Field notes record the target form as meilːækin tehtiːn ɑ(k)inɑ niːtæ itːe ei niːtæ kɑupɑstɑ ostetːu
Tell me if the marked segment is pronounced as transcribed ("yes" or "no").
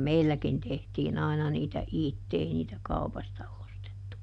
no